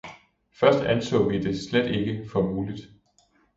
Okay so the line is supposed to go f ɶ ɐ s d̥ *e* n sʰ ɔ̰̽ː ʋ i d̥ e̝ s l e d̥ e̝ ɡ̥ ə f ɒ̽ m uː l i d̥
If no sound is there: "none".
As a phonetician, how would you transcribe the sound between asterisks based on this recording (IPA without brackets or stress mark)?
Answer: æ